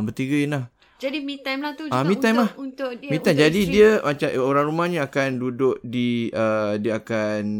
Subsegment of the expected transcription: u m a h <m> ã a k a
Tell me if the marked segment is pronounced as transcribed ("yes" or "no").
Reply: no